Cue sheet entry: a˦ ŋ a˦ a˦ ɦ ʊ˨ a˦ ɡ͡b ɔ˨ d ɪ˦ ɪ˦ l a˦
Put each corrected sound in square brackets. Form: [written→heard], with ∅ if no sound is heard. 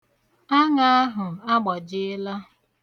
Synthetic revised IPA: a˦ ŋ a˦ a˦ ɦ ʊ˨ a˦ ɡ͡b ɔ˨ [d→d͡ʒ] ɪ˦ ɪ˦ l a˦